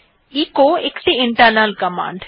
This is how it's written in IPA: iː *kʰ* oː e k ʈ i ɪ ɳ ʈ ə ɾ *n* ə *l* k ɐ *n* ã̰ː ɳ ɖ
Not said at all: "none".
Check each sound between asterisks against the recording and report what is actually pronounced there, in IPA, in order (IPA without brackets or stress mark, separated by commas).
k, n, l, m